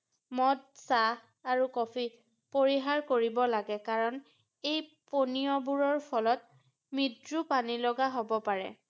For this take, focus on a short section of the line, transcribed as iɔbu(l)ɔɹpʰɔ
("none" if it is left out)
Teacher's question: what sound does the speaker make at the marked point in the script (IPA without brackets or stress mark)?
ɹ